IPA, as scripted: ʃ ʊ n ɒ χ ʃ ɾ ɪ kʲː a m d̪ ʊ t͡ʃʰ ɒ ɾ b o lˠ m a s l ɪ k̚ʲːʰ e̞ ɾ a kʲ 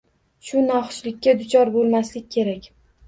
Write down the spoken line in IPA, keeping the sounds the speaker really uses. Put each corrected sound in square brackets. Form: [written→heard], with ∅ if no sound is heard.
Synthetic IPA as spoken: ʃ ʊ n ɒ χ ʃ [ɾ→l] ɪ kʲː a [m→∅] d̪ ʊ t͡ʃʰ ɒ ɾ b o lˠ m a s l ɪ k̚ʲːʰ e̞ ɾ a kʲ